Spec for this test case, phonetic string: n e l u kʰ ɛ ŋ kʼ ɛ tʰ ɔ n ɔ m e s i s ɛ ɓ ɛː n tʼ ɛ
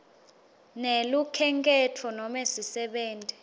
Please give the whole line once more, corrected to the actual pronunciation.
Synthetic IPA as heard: n e l u kʰ ɛ ŋ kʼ ɛ tʰ ɔ n ɔ m e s i s ɛ ɓ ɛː n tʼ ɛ